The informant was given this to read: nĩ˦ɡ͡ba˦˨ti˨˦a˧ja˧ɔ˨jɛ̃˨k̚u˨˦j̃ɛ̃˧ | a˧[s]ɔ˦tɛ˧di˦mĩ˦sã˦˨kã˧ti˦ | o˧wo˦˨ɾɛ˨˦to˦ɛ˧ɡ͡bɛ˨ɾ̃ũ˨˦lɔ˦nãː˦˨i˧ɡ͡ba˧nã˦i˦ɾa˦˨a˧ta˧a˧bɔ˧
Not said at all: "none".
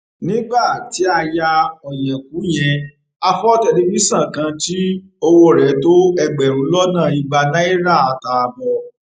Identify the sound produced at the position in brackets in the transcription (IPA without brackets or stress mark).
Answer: f